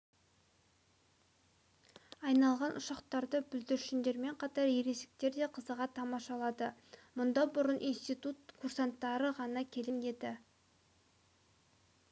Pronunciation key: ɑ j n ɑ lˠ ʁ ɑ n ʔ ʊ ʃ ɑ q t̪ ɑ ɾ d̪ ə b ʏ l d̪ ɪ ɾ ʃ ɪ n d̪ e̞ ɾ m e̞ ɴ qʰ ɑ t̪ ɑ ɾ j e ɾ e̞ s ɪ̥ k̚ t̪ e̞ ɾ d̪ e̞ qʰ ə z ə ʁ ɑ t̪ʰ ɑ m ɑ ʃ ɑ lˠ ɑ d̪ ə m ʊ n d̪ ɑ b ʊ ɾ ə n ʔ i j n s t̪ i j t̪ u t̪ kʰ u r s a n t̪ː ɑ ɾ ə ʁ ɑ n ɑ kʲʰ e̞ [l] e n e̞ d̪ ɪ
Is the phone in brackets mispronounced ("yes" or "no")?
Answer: no